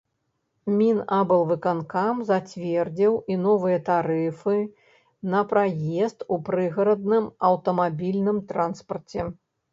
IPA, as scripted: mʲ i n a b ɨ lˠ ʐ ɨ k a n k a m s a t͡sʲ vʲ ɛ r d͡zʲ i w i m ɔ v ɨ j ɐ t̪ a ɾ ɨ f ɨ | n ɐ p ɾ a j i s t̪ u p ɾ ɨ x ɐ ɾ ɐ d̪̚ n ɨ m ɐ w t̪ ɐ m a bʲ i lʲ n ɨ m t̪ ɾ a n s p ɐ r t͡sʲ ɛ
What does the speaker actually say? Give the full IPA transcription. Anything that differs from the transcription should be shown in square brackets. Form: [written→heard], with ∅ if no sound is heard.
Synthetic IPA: mʲ i n a b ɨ lˠ [ʐ→v] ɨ k a n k a m [s→z] a t͡sʲ vʲ ɛ r d͡zʲ i w i [m→n] ɔ v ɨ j ɐ t̪ a ɾ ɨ f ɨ | n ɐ p ɾ a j [i→ɛ] s t̪ u p ɾ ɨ [x→ɣ] ɐ ɾ ɐ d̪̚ n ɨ m ɐ w t̪ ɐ m a bʲ i lʲ n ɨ m t̪ ɾ a n s p ɐ r t͡sʲ ɛ